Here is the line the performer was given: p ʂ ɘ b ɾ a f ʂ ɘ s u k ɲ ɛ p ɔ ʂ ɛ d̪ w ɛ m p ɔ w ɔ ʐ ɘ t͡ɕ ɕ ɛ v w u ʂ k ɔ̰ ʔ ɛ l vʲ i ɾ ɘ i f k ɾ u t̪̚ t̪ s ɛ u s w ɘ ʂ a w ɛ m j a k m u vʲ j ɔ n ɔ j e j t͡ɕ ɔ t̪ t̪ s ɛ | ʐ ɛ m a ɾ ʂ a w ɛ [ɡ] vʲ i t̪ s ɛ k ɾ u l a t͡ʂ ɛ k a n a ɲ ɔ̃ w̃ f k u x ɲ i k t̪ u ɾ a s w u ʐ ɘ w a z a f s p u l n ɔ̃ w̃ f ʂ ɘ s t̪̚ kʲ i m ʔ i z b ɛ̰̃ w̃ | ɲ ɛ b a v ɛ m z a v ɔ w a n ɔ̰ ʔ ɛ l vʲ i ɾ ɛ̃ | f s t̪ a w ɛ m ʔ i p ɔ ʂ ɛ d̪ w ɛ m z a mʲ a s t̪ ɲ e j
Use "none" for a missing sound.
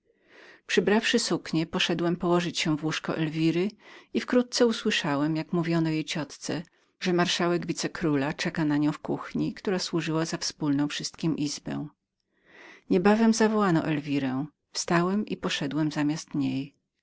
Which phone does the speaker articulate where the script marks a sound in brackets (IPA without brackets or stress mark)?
ɡ